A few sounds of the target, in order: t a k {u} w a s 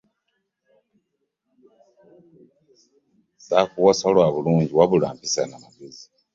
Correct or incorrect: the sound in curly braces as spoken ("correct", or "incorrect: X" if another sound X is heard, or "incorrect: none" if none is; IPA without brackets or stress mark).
correct